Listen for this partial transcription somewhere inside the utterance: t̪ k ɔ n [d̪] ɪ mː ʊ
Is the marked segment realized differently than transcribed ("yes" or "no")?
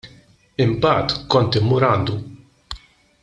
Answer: yes